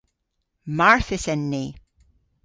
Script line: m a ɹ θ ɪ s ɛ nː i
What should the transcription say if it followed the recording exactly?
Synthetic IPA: m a ɹ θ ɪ s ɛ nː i